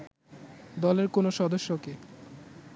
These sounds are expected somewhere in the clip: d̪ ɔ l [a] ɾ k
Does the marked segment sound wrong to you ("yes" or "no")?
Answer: yes